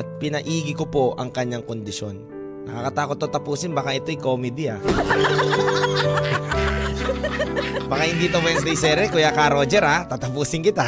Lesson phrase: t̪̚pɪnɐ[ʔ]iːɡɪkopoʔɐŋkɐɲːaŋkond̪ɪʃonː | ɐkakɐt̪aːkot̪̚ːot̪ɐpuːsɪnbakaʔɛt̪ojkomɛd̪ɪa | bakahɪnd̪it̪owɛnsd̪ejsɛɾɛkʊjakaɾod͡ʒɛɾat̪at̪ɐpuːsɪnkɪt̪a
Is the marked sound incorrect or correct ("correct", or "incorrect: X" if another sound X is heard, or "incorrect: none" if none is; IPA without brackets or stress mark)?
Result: correct